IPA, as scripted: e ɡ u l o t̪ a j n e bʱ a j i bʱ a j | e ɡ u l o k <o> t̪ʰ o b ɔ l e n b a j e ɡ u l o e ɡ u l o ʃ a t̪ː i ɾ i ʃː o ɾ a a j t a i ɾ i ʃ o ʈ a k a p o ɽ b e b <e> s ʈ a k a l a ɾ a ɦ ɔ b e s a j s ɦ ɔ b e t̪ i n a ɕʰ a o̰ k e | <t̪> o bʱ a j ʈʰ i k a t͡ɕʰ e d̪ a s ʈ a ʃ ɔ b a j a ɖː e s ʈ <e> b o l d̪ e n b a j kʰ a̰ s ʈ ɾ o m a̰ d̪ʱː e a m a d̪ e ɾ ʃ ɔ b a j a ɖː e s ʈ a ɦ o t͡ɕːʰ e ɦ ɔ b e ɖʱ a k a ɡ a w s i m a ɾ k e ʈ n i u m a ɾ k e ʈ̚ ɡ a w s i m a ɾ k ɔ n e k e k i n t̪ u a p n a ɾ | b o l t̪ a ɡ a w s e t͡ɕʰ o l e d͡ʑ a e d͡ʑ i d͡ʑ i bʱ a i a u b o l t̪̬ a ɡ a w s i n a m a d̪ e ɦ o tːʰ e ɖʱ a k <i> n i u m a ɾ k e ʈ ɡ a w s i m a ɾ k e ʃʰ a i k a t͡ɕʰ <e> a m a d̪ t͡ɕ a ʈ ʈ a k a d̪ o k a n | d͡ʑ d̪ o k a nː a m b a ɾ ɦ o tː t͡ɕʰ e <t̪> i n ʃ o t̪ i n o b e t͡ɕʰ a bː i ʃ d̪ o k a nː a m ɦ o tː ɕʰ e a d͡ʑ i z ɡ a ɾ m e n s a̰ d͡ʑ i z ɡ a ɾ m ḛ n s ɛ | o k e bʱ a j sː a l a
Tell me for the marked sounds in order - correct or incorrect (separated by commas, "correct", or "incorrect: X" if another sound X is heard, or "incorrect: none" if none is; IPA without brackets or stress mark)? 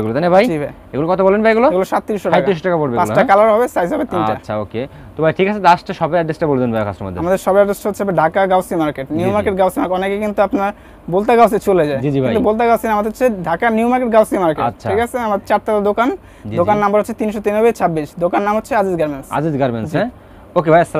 incorrect: ɔ, incorrect: a, correct, incorrect: a, incorrect: a, correct, correct